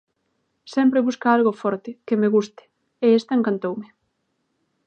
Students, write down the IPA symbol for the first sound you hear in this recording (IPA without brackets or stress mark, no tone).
s